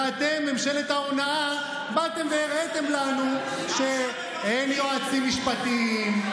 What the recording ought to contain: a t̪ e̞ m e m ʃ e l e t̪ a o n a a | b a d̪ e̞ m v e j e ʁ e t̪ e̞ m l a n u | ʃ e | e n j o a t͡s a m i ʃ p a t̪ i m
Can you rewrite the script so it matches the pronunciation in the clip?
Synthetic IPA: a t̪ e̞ m e m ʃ e l e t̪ a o n a a | b a t̪ e̞ m v e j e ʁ e t̪ e̞ m l a n u | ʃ e | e n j o a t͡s i m i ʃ p a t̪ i m